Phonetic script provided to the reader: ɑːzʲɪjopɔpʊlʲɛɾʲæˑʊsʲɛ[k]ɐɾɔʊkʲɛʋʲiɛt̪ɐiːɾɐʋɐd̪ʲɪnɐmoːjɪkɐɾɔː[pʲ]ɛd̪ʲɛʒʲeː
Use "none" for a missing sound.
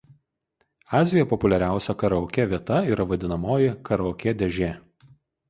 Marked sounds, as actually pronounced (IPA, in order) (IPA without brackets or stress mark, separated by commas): k, kʲ